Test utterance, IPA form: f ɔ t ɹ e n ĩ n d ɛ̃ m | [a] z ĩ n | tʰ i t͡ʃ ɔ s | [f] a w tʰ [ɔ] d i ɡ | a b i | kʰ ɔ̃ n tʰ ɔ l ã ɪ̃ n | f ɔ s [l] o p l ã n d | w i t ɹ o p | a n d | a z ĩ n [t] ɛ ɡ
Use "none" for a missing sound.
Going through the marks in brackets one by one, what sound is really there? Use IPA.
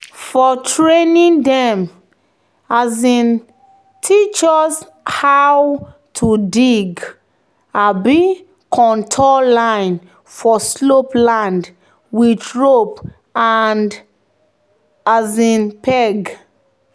a, h, u, l, p

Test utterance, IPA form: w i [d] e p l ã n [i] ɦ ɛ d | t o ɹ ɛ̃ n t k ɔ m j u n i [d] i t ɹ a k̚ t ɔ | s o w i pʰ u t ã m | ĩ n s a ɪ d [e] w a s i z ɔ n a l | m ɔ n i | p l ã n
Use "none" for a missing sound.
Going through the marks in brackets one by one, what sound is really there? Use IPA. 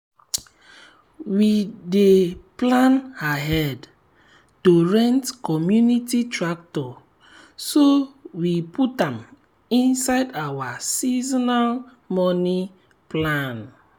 d, a, t, a

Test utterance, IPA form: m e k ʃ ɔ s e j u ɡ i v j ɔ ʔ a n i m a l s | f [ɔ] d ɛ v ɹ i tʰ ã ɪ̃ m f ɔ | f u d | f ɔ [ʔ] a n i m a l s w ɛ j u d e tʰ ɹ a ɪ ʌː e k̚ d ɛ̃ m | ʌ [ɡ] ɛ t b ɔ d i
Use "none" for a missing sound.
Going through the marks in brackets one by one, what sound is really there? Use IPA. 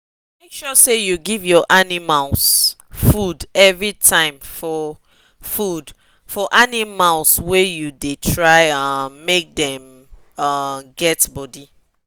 u, ʔ, ɡ

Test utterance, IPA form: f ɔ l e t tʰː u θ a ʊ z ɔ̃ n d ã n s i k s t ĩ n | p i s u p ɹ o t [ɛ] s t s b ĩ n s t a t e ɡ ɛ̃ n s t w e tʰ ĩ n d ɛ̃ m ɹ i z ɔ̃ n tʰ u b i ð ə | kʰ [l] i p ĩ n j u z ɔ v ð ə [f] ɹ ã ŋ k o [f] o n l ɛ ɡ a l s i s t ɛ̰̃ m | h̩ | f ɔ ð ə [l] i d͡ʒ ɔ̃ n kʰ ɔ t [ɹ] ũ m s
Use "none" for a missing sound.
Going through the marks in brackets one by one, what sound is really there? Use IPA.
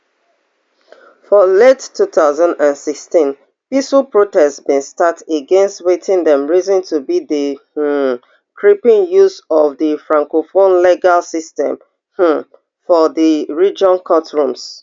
ɛ, ɹ, f, f, ɹ, ɹ

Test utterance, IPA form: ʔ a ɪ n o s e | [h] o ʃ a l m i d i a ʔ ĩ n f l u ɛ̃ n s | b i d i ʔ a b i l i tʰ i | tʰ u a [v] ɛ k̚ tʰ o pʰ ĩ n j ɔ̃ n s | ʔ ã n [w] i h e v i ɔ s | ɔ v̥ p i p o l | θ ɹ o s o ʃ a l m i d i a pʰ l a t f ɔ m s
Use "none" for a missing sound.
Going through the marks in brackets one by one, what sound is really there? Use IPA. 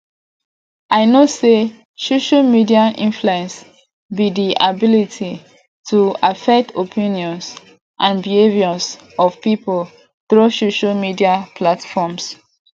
s, f, b

